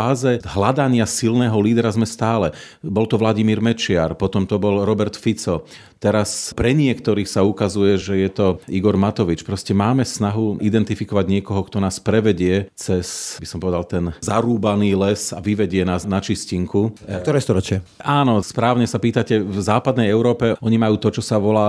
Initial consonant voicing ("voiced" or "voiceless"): voiced